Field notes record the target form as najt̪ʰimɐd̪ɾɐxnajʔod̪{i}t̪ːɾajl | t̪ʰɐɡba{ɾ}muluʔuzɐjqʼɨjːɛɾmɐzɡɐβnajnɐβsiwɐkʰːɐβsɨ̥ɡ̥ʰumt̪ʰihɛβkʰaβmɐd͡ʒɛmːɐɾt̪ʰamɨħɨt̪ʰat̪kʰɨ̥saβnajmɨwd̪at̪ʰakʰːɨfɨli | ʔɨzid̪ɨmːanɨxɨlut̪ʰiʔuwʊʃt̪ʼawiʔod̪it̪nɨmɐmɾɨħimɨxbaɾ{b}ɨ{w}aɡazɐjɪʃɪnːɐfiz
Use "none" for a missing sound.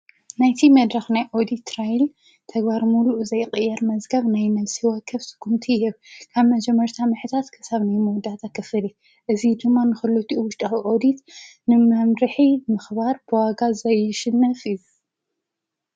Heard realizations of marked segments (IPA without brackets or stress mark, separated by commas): i, ɾ, b, w